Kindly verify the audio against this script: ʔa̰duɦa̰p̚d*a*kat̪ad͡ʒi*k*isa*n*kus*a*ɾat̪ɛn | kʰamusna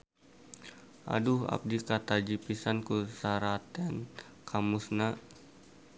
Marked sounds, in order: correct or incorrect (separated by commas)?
incorrect, incorrect, correct, correct